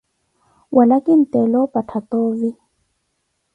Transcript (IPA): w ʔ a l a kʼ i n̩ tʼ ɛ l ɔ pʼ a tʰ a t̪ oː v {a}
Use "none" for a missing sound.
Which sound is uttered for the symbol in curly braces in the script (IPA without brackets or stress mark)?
i